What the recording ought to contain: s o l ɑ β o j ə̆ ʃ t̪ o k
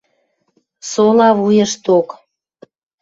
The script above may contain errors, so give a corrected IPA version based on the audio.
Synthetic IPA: s o l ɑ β u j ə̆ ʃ t̪ o k